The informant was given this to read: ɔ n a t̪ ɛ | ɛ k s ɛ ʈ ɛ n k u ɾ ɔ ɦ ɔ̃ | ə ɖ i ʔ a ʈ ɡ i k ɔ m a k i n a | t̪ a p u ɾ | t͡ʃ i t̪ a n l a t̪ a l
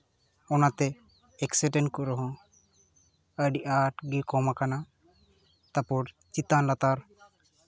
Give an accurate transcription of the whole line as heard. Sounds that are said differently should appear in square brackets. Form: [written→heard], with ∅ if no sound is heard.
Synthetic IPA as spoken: ɔ n a t̪ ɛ | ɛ k s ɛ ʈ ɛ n k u ɾ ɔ ɦ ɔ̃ | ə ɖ i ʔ a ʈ ɡ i k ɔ m a k [i→a] n a | t̪ a p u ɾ | t͡ʃ i t̪ a n l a t̪ a [l→ɾ]